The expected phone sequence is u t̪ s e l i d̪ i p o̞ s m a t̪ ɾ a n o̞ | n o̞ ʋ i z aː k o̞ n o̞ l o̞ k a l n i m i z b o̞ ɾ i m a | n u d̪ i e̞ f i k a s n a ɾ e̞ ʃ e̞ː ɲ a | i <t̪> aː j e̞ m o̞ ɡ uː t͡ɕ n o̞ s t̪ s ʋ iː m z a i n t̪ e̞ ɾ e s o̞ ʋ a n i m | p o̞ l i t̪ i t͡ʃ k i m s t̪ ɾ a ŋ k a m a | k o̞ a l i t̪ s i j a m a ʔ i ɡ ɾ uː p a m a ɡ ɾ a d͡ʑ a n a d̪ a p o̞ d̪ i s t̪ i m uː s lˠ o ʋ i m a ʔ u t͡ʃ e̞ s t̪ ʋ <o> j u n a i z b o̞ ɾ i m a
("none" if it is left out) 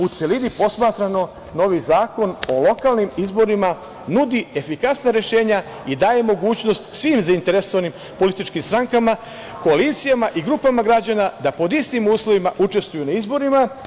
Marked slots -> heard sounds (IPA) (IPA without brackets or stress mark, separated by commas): d̪, u